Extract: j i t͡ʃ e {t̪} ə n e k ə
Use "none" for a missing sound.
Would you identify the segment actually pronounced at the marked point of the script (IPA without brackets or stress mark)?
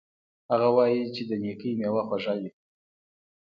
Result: d̪